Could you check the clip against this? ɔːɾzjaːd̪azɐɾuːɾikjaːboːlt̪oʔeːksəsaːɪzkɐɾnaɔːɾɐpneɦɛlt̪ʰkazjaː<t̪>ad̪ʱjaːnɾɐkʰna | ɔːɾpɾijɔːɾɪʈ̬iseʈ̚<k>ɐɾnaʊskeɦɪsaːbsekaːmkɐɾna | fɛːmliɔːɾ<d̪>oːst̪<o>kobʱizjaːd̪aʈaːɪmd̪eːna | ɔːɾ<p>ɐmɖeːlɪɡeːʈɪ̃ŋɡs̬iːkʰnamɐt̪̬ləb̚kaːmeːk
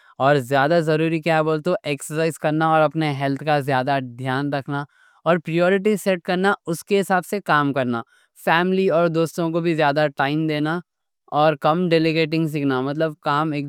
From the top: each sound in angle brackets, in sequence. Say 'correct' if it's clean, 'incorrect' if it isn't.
incorrect, correct, correct, incorrect, incorrect

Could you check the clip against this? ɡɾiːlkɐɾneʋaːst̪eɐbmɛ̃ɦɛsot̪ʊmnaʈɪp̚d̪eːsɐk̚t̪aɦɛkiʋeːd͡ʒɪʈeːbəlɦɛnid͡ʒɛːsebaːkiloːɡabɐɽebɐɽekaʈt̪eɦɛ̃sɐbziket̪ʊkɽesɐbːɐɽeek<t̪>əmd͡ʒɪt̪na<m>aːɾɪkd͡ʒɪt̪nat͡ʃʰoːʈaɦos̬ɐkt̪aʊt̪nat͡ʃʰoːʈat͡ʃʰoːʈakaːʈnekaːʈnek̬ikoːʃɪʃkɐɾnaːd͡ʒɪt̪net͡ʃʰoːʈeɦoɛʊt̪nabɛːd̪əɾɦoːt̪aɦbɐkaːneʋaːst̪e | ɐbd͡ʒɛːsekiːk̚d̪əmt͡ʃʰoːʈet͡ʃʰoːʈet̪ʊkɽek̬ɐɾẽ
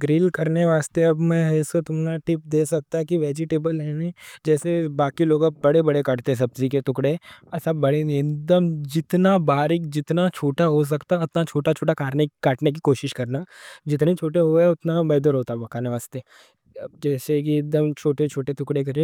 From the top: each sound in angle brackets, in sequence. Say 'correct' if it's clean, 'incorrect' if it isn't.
incorrect, incorrect

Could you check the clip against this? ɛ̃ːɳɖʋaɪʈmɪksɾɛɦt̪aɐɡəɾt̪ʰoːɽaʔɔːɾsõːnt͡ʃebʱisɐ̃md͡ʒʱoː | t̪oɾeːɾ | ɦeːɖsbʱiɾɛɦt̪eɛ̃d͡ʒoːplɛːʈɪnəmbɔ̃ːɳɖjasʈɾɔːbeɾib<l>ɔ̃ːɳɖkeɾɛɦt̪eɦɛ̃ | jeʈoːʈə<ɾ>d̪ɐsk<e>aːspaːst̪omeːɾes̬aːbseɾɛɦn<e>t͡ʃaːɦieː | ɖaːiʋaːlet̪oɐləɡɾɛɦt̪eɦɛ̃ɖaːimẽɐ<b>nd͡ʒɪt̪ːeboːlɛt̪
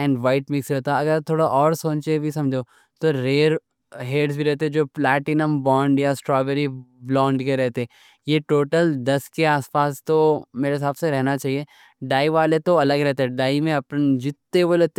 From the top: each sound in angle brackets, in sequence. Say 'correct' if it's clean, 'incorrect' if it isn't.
correct, incorrect, correct, incorrect, incorrect

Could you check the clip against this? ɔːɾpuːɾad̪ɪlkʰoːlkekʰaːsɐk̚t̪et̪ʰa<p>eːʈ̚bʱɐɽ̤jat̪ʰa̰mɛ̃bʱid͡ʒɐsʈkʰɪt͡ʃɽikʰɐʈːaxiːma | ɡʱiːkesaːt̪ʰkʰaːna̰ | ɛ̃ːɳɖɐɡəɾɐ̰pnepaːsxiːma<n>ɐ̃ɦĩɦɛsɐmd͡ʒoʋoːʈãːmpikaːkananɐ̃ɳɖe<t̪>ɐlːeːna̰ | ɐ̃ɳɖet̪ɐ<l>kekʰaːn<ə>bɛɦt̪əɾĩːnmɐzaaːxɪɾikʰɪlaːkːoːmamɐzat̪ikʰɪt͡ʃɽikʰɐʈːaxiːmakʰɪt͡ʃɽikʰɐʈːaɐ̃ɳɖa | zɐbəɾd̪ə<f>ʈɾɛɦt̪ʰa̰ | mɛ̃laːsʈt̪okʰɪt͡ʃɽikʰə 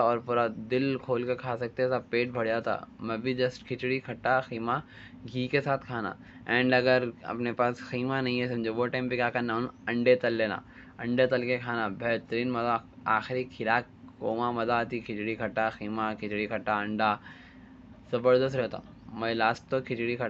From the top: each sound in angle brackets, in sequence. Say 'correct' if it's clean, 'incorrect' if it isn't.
correct, correct, correct, correct, incorrect, incorrect

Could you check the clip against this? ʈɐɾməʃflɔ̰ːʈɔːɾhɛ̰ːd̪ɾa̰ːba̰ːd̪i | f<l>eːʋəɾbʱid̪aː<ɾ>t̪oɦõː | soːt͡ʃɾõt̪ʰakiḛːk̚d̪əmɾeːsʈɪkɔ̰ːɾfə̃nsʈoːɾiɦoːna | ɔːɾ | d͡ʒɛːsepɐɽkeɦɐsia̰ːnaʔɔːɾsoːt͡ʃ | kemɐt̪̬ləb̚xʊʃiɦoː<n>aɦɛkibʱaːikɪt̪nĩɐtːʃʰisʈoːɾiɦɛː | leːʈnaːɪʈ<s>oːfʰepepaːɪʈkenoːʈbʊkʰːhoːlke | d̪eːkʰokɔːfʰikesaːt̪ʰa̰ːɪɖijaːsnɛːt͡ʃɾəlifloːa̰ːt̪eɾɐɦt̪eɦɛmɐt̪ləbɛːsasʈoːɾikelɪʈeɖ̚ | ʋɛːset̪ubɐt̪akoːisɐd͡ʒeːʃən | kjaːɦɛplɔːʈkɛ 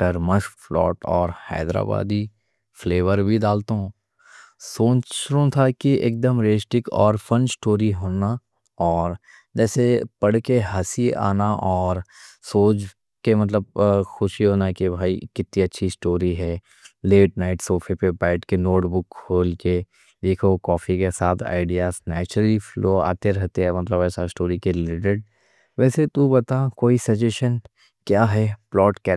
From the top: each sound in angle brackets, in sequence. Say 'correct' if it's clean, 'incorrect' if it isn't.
correct, incorrect, correct, correct

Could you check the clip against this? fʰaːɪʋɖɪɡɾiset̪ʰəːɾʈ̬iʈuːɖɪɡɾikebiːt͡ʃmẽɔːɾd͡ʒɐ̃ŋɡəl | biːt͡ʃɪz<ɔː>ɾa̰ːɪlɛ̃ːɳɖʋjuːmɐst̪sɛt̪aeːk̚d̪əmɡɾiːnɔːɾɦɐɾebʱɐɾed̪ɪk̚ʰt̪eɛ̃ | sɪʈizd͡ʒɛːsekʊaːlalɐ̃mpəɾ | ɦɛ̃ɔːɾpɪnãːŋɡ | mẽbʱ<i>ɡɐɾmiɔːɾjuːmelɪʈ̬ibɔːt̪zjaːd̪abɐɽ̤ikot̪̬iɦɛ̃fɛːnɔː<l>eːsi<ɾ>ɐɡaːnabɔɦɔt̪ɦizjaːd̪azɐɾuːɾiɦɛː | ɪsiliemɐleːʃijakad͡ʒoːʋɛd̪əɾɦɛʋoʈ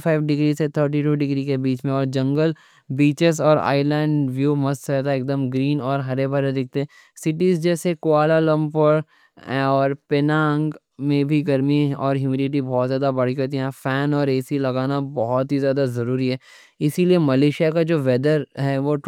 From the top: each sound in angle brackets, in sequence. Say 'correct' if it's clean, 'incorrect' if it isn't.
correct, correct, incorrect, incorrect

